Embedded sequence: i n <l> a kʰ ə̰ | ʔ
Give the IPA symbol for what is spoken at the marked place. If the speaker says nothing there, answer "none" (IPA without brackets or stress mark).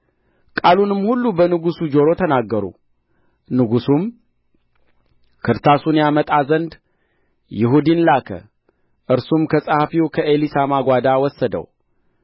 l